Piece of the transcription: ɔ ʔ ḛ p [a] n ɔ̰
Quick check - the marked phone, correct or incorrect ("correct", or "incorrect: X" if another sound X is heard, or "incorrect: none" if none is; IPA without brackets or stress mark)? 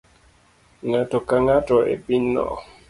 incorrect: i